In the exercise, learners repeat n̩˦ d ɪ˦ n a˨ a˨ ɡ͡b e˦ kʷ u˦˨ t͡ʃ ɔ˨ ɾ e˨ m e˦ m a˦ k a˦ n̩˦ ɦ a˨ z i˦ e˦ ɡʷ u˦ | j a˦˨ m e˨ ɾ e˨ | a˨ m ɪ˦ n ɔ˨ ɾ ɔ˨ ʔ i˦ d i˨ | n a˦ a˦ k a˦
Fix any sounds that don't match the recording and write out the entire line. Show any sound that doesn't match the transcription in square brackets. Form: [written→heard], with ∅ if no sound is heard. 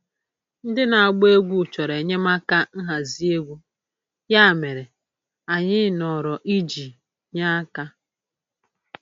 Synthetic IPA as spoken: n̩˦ d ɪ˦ n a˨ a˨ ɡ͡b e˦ [kʷ→ɡʷ] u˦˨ t͡ʃ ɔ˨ ɾ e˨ [m→ɲ] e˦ m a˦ k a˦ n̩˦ ɦ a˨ z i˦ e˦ ɡʷ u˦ | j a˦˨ m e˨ ɾ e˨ | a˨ [m→ɲ] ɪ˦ n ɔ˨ ɾ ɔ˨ ʔ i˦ [d→d͡ʒ] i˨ | [n→ɲ] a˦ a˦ k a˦

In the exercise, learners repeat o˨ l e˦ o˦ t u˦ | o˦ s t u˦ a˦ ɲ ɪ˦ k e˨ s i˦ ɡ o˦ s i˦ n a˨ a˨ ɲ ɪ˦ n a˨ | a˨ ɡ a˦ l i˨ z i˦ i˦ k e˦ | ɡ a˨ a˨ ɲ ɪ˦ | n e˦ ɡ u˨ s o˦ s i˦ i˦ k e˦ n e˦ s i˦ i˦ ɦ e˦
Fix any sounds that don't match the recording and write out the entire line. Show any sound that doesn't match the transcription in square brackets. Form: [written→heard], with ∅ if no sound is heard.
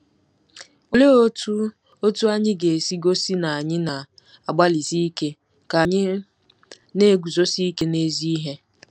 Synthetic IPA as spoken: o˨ l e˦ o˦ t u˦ | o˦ [s→∅] t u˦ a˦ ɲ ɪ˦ [k→ɡ] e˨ s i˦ ɡ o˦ s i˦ n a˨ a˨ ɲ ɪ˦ n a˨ | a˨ [ɡ→ɡ͡b] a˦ l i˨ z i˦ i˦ k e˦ | [ɡ→k] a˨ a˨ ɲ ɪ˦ | n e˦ ɡ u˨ [s→z] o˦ s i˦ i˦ k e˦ n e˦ [s→z] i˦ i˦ ɦ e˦

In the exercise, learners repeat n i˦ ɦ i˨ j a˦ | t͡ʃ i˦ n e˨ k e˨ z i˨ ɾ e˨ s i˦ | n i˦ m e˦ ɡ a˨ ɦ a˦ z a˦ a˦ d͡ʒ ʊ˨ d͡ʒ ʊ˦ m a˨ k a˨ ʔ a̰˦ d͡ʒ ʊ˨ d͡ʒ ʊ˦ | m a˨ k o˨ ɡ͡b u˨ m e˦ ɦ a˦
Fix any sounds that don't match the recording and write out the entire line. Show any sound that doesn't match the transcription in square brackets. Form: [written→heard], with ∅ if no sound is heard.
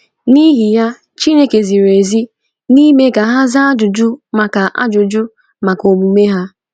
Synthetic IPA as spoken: n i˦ ɦ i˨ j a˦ | t͡ʃ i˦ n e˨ k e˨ z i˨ ɾ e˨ [s→z] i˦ | n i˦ m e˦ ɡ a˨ ɦ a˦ z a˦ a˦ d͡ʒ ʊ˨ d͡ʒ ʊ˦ m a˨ k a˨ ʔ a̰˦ d͡ʒ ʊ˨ d͡ʒ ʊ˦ | m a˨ k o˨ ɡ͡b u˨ m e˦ ɦ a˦

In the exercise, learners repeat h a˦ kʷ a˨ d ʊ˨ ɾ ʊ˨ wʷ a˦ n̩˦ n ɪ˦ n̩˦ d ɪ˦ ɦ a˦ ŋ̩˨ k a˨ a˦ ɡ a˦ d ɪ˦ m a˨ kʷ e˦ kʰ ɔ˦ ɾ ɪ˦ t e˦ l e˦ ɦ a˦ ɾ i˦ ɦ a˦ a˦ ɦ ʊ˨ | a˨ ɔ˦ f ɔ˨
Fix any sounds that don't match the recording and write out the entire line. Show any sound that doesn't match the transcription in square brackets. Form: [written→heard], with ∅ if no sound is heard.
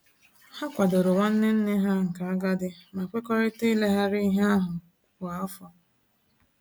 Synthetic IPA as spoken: h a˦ kʷ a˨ d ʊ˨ ɾ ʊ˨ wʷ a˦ n̩˦ n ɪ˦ n̩˦ [d→n] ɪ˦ ɦ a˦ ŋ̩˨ k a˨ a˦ ɡ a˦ d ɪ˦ m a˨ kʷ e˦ [kʰ→k] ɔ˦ ɾ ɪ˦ t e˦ l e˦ ɦ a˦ ɾ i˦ ɦ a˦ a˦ ɦ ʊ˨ | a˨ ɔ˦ f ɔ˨

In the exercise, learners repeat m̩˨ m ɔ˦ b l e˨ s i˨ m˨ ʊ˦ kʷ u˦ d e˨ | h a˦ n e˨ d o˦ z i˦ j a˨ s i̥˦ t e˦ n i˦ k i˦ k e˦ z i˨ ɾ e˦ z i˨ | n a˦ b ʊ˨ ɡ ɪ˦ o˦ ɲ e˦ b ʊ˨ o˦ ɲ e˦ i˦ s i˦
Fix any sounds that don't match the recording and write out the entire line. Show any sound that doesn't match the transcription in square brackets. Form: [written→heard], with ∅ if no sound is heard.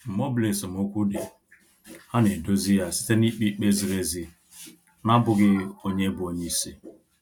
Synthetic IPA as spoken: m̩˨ m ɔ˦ b l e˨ s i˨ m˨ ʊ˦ kʷ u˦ d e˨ | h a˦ n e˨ d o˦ z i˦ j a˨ s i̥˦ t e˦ n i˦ [k→k͡p] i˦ [k→k͡p] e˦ z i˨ ɾ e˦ z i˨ | n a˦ b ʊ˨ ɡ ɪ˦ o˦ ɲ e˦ b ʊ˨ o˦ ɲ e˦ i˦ s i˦

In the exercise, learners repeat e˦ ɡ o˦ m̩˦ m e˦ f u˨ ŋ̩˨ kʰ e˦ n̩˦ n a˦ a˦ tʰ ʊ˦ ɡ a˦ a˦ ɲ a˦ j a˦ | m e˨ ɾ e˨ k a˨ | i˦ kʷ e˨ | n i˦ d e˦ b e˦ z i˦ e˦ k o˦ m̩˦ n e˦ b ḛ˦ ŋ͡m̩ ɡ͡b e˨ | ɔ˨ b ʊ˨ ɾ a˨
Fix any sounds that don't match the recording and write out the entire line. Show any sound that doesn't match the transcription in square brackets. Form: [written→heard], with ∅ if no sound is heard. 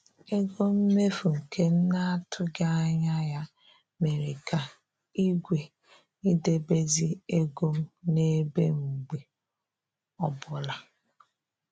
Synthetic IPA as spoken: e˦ ɡ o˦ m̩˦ m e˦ f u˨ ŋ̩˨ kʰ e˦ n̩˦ n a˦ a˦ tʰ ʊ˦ ɡ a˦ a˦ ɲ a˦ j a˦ | m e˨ ɾ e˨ k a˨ | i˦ [kʷ→ɡʷ] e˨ | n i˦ d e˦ b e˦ z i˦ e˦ [k→ɡ] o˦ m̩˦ n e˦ b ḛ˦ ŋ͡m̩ ɡ͡b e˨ | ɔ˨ b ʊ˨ [ɾ→l] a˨

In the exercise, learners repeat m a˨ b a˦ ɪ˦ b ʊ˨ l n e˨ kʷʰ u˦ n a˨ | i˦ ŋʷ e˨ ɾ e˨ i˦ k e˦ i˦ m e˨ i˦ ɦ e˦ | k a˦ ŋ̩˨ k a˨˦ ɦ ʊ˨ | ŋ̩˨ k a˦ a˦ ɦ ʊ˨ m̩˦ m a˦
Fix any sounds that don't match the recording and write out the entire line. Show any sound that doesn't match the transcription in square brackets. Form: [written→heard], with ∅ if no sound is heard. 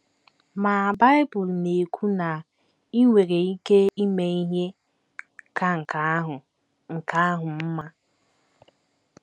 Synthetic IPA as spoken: m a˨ b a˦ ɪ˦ b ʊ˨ l n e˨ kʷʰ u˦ n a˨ | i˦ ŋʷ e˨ ɾ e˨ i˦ k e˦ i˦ m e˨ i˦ ɦ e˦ | k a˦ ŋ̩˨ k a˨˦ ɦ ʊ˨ | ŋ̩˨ k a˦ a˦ ɦ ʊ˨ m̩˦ m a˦

